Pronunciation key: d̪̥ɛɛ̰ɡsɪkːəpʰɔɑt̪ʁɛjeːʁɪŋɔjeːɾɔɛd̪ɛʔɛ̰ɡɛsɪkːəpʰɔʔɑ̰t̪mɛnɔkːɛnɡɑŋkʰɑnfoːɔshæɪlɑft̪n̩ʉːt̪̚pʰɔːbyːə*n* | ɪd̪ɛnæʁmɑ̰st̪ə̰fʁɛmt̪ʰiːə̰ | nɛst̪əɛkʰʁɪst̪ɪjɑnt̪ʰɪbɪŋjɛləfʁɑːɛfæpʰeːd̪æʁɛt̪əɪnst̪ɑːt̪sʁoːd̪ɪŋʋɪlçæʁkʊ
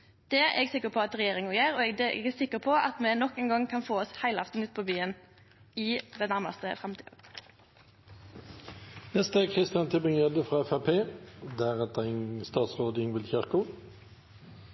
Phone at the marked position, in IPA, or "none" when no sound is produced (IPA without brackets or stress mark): n